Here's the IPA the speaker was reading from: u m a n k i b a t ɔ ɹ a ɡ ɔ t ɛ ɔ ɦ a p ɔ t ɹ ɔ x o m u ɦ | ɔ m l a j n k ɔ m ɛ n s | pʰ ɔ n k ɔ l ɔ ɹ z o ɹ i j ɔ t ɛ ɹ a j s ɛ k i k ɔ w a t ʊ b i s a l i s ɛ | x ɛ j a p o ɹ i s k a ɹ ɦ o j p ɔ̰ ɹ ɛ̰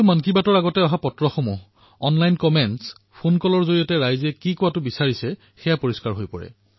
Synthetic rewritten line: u m a n k i b a t ɔ ɹ a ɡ ɔ t ɛ ɔ ɦ a p ɔ t ɹ ɔ x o m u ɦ | ɔ n l a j n k ɔ m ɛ n s | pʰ o n k ɔ l ɔ ɹ z o ɹ i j ɔ t ɛ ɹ a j z ɛ k i k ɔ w a t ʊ b i s a ɹ i s ɛ | x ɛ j a p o ɹ i s k a ɹ ɦ o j p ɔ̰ ɹ ɛ̰